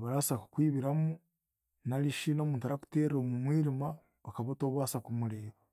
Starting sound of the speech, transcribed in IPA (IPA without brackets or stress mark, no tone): β